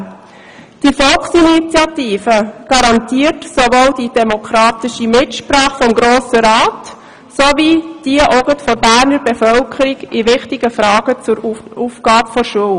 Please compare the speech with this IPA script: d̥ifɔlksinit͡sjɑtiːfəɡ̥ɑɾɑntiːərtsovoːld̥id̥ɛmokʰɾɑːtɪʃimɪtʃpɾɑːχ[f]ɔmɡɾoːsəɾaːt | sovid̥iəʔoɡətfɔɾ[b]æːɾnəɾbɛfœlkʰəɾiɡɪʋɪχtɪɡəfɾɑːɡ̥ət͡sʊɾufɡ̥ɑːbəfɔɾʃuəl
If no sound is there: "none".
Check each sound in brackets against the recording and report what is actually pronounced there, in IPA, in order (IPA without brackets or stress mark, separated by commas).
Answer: f, b